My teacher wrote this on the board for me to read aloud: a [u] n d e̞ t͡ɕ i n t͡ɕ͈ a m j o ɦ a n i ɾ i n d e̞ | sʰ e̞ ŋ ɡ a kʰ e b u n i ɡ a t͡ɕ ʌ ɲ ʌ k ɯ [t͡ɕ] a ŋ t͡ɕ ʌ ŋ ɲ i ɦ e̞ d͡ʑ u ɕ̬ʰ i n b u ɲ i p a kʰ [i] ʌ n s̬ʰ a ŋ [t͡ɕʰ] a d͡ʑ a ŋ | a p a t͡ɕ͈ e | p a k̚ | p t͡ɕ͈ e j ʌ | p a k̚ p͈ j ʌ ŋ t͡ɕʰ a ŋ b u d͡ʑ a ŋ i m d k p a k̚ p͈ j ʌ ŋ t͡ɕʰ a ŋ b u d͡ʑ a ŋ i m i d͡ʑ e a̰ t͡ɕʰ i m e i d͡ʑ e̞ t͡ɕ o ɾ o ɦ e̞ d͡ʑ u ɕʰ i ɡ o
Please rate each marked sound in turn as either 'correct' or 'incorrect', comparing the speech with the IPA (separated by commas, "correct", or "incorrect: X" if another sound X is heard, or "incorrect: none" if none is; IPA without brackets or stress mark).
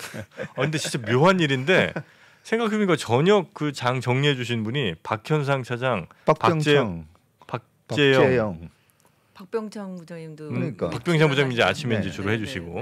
incorrect: ɯ, correct, incorrect: j, correct